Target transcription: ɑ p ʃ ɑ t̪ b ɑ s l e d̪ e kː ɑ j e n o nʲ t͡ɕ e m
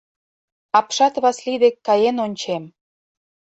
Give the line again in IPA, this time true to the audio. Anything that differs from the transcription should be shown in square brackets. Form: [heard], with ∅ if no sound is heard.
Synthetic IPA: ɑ p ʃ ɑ t̪ [β] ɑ s l [i] d̪ e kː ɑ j e n o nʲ t͡ɕ e m